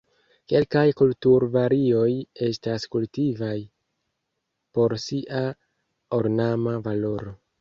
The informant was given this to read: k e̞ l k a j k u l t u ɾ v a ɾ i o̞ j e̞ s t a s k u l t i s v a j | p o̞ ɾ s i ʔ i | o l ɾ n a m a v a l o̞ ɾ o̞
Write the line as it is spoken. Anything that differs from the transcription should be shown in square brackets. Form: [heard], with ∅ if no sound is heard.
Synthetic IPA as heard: k e̞ l k a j k u l t u ɾ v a ɾ i o̞ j e̞ s t a s k u l t i [∅] v a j | p o̞ ɾ s i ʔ [a] | o [∅] ɾ n a m a v a l o̞ ɾ o̞